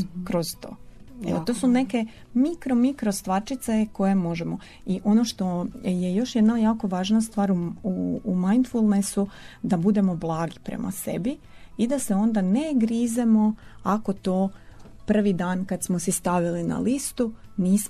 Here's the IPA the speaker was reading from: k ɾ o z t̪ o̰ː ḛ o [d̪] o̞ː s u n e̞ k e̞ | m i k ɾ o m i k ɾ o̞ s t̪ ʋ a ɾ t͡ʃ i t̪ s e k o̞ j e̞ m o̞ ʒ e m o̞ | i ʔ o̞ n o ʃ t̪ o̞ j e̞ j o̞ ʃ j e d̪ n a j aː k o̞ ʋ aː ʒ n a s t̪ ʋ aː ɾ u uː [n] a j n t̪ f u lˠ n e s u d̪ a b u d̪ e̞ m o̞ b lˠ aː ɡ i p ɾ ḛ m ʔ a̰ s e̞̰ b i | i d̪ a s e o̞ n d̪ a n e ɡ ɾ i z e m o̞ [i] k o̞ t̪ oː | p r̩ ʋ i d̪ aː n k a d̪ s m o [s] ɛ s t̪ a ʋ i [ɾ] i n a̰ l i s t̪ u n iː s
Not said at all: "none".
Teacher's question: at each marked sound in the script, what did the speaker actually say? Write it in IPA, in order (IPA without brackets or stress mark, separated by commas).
t̪, m, a, s, l